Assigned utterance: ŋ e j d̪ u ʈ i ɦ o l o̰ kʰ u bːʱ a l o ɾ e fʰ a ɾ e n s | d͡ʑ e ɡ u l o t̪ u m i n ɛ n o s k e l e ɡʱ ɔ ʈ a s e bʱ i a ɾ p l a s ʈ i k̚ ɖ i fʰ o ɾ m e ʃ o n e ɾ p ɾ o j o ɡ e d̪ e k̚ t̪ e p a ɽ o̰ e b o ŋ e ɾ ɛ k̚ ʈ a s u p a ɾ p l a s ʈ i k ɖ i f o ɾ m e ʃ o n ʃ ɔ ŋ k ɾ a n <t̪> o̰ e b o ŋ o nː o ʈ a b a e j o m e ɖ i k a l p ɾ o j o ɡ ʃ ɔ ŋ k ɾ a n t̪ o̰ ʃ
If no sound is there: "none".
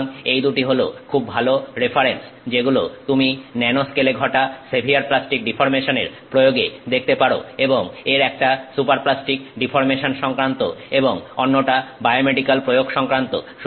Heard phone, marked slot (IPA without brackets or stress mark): t̪